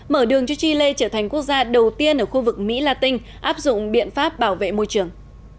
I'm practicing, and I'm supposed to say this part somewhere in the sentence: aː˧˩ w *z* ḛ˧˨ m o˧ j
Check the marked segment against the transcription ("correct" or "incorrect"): incorrect